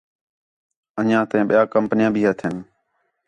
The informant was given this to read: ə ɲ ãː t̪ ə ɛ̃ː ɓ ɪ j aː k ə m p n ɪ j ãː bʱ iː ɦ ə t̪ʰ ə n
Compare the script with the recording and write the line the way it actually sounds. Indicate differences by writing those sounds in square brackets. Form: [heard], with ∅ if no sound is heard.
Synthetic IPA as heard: ə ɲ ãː t̪ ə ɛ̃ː ɓ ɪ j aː k ə m p n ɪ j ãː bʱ iː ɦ ə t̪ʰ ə n

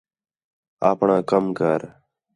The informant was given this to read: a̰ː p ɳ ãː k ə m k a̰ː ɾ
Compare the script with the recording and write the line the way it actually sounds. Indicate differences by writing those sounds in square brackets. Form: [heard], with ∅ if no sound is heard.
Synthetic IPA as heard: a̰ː p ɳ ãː k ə m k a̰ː ɾ

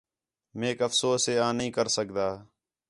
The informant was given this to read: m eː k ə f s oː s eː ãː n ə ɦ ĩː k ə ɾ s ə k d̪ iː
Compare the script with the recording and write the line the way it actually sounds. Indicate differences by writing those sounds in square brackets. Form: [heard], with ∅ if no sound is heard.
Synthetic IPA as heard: m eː k ə f s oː s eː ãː n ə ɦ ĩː k ə ɾ s ə k d̪ [aː]

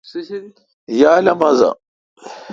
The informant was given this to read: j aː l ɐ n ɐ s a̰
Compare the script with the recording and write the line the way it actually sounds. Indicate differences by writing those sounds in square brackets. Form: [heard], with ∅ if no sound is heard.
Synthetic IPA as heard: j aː l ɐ [m] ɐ [z] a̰

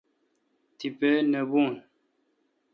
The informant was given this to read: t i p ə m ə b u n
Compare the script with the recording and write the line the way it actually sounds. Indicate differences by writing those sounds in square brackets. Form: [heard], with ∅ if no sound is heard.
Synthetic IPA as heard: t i p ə [n] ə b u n

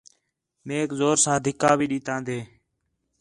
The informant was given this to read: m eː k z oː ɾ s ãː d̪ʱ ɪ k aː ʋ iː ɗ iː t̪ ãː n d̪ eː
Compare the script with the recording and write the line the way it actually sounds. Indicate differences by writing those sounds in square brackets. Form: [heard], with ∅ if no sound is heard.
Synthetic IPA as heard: m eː k z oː ɾ s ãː d̪ʱ ɪ k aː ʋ iː ɗ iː t̪ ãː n d̪ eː

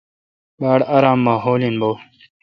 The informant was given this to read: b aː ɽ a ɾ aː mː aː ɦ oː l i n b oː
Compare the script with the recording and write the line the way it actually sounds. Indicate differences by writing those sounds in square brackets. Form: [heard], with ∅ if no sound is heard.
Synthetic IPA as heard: b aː ɽ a ɾ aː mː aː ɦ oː l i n b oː

